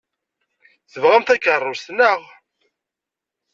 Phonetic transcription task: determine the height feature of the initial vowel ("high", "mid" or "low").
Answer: mid